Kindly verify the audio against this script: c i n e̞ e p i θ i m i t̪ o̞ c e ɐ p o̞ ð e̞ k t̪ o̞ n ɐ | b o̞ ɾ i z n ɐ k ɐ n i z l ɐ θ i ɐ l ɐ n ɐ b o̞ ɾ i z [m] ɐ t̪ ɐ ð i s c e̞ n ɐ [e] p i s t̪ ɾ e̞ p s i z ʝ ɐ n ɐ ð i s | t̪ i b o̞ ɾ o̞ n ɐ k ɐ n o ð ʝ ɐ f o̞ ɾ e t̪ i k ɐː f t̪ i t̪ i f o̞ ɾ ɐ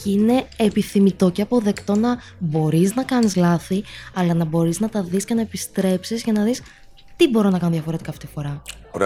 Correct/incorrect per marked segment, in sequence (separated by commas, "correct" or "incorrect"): incorrect, correct